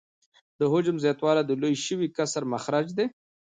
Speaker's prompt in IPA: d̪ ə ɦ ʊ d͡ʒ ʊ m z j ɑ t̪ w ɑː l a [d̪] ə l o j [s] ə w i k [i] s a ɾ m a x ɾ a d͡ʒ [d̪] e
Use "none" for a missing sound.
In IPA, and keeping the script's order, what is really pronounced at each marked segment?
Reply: d̪, ʃ, a, d̪

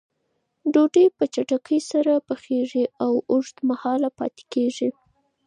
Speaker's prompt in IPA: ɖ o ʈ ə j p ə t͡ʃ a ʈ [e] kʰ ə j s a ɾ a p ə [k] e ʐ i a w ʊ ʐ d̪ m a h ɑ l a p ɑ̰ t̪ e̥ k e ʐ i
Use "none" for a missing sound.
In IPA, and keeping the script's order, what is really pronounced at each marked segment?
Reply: a, x

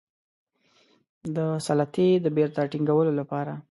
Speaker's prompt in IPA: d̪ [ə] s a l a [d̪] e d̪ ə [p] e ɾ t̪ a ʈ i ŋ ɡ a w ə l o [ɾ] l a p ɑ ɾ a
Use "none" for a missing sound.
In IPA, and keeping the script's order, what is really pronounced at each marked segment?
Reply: ə, t̪, b, none

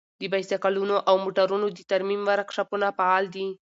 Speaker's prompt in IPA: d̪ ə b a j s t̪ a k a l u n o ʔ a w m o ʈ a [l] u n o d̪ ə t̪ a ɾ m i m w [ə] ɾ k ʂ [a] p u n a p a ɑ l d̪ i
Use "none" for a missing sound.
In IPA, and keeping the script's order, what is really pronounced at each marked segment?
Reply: ɾ, a, a

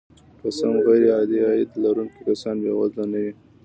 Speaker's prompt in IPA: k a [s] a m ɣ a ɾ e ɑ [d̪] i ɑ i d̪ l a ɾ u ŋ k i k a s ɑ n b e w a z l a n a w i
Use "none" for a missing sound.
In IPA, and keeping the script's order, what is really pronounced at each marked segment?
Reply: s, d̪

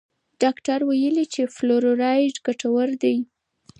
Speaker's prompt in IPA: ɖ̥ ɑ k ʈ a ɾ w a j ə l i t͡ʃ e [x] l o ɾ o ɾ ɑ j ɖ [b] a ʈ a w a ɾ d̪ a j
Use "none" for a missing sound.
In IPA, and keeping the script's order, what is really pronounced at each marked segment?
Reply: f, ɡ

